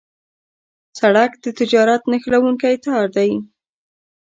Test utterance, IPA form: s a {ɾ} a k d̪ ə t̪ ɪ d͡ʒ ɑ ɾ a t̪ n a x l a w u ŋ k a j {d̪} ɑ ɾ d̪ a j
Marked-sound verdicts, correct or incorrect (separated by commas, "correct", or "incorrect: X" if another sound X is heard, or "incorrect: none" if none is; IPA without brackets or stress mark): incorrect: ɽ, incorrect: t̪